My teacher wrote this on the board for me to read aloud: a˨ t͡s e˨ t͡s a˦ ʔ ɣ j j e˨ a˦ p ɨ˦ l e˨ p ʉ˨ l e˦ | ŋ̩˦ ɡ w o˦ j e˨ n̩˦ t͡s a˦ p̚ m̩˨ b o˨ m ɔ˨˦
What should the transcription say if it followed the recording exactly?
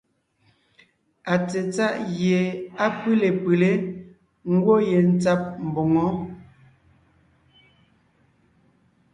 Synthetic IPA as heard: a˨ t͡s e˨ t͡s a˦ ʔ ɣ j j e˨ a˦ p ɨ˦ l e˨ p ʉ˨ l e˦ | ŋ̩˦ ɡ w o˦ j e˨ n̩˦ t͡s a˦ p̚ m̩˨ b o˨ ŋ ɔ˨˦